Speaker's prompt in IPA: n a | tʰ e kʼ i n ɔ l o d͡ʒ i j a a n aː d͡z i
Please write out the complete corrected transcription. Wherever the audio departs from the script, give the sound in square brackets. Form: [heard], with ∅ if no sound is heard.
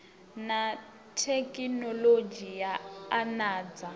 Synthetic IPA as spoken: n a | tʰ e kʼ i n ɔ l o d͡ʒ i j a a n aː d͡z [a]